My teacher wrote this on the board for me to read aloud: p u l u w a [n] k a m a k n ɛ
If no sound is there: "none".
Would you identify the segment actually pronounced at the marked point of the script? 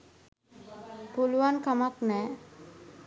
n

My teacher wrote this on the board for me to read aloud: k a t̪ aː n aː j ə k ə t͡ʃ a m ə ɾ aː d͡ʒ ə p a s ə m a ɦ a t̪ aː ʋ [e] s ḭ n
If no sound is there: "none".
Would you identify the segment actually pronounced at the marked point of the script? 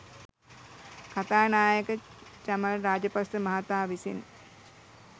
i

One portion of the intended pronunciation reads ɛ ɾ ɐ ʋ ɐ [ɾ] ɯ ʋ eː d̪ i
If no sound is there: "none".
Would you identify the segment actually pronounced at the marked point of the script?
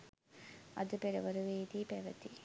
ɾ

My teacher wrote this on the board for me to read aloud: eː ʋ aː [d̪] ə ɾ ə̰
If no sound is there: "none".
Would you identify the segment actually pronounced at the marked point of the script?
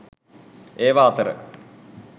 t̪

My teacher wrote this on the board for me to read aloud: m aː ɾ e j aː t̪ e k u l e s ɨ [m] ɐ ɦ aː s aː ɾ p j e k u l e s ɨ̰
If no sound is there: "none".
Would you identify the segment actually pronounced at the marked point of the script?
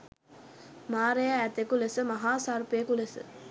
m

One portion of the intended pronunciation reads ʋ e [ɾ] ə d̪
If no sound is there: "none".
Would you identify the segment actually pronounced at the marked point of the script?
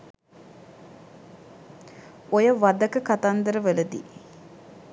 l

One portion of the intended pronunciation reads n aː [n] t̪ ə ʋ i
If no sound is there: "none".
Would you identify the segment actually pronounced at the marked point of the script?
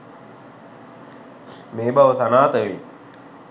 none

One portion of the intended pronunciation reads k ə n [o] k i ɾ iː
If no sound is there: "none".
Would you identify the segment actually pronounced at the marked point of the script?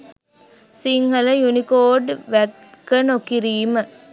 o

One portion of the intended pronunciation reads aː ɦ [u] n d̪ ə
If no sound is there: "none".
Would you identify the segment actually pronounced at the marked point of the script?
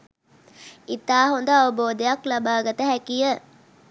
o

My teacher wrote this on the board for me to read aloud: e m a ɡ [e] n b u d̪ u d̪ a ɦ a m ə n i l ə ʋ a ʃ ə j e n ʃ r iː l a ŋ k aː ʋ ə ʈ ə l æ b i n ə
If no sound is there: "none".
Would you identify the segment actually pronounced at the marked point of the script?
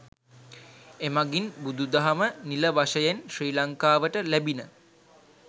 i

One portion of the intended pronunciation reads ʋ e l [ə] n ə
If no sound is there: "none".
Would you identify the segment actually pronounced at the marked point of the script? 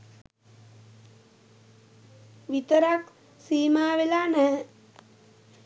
a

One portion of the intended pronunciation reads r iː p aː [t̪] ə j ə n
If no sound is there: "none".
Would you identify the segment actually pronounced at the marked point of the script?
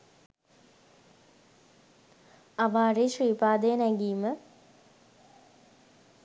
d̪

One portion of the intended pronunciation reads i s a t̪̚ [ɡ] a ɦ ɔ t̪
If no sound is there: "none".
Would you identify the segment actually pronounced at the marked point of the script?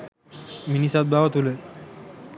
b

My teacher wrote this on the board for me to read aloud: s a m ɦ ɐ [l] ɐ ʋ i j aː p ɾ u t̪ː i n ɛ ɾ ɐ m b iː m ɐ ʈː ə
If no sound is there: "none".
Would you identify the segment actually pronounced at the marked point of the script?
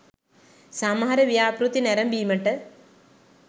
ɾ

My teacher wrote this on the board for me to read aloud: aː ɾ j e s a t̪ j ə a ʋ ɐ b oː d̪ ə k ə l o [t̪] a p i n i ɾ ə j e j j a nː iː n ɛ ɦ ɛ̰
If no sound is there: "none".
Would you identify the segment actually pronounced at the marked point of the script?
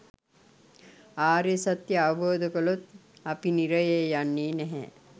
t̪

